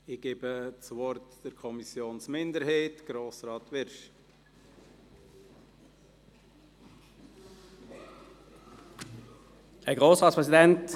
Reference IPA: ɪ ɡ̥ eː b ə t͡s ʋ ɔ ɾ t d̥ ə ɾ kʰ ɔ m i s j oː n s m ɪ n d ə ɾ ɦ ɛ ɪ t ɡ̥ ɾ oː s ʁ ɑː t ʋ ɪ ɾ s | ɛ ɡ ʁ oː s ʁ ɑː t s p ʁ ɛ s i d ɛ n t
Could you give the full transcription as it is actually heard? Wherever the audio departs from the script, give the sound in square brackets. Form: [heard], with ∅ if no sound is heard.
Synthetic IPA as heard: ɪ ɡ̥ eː b ə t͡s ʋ ɔ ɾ t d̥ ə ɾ kʰ ɔ m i s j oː n s m ɪ n d ə ɾ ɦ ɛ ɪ t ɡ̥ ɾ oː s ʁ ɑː t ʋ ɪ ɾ [ʃ] | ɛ ɡ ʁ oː s ʁ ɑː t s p ʁ ɛ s i d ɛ n t